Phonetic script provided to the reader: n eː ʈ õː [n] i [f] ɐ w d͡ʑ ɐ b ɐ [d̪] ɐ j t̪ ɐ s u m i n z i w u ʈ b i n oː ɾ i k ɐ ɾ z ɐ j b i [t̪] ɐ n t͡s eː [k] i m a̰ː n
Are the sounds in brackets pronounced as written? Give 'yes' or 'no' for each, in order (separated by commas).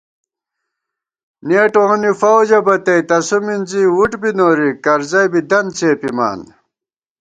yes, yes, no, no, no